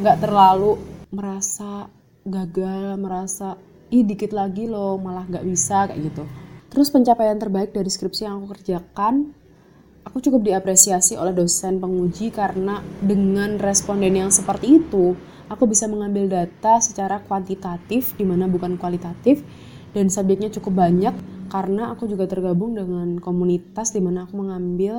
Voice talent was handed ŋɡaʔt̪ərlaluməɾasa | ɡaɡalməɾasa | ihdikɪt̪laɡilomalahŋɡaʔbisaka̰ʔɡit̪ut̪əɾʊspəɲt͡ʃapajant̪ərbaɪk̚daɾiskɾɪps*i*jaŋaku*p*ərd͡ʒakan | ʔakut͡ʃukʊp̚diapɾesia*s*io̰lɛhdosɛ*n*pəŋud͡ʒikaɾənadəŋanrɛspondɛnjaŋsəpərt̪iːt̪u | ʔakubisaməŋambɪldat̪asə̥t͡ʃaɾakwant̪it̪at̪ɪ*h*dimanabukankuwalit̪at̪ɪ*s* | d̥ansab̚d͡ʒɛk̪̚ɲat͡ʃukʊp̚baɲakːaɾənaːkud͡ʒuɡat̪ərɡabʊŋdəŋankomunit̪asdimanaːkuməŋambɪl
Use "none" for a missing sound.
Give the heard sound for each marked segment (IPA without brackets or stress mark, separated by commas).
i, k, s, n, f, f